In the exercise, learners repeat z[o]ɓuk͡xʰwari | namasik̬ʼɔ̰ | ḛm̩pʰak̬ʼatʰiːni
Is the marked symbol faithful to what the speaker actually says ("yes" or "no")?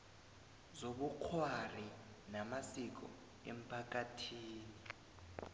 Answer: yes